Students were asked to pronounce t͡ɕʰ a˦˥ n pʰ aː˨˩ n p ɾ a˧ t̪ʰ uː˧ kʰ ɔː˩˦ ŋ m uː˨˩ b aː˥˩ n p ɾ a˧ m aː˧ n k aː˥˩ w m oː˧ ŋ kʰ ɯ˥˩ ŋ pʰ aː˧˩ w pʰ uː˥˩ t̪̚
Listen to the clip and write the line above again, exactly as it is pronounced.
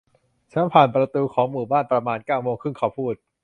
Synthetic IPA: t͡ɕʰ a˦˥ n pʰ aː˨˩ n p ɾ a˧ t̪ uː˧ kʰ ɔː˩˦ ŋ m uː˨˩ b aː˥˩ n p ɾ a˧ m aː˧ n k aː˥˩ w m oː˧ ŋ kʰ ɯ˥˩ ŋ kʰ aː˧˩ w pʰ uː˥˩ t̪̚